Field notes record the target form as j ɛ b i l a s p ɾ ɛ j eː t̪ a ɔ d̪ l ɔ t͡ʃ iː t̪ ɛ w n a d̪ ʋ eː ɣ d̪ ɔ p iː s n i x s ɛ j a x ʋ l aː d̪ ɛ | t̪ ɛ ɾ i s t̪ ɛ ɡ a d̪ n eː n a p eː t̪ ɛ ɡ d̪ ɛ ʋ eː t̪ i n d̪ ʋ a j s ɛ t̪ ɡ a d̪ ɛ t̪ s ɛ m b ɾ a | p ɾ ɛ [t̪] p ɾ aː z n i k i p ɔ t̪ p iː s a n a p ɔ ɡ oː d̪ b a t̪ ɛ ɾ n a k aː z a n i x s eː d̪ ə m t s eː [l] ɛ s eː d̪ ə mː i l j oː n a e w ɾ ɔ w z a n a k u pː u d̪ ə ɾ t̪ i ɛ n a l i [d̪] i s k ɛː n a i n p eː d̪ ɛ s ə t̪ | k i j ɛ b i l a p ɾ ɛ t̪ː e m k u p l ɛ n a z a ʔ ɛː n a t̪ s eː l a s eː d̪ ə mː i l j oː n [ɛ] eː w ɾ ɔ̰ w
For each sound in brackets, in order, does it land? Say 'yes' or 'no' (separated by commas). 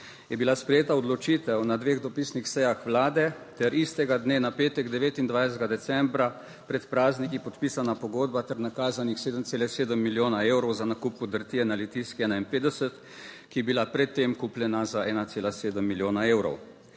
yes, yes, no, no